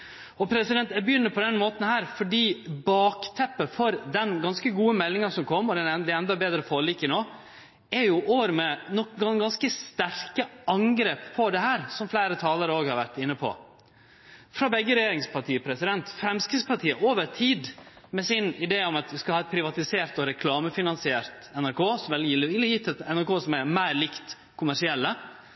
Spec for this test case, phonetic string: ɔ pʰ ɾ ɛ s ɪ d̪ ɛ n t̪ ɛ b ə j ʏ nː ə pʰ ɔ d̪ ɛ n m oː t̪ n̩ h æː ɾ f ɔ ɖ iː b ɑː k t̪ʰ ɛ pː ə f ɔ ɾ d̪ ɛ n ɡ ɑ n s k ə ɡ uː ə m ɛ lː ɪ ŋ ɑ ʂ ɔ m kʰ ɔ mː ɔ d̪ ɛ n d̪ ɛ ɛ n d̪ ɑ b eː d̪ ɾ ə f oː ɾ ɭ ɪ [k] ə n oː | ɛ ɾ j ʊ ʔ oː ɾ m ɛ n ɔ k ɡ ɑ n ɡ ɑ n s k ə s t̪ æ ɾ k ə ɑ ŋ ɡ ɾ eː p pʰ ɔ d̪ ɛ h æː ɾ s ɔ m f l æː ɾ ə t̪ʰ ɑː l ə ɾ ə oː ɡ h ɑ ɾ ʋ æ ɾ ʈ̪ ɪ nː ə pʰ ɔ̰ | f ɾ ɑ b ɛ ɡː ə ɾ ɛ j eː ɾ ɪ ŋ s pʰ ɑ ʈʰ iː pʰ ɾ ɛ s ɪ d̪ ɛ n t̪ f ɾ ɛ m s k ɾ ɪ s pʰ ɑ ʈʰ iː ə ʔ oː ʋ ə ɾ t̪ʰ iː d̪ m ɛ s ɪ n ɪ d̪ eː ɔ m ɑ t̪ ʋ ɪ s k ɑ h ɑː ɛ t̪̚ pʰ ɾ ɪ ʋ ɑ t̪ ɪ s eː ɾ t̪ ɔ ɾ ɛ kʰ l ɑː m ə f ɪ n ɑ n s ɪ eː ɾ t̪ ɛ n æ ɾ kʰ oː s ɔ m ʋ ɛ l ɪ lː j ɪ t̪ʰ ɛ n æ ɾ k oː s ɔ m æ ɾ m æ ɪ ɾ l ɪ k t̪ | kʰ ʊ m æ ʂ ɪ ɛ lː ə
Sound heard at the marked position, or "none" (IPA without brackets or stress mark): k